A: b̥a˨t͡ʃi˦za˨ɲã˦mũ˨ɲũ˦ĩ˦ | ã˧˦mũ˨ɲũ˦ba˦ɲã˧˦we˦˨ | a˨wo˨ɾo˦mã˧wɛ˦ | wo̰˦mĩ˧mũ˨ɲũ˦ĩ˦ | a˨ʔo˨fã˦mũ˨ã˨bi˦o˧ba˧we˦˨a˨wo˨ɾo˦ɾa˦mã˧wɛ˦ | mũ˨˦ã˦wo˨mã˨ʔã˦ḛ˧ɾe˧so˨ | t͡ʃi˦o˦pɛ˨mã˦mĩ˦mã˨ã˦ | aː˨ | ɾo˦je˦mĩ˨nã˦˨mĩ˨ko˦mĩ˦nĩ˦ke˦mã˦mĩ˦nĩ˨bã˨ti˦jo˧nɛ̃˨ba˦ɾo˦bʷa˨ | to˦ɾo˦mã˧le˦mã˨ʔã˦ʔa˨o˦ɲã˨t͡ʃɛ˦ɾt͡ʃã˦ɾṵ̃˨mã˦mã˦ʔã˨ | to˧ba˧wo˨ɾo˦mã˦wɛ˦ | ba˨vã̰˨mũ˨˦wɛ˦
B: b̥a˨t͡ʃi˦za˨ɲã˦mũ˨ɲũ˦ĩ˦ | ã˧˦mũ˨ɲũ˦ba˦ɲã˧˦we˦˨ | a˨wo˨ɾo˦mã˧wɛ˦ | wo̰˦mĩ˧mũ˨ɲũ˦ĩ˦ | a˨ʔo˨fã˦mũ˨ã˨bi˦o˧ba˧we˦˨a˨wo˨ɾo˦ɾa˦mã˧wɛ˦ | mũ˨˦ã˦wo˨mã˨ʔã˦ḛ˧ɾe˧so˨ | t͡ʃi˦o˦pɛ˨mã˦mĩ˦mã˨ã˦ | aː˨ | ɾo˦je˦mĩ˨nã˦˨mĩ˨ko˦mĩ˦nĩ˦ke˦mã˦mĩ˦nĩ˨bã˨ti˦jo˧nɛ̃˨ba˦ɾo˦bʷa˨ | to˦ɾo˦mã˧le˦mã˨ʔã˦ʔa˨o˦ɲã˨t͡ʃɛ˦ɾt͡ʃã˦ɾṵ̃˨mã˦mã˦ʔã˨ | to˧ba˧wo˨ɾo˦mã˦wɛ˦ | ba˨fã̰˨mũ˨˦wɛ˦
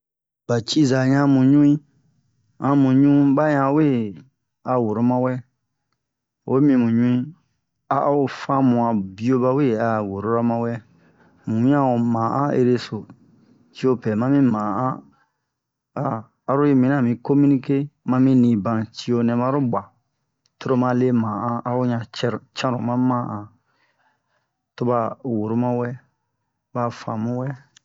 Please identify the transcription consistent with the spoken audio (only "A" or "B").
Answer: B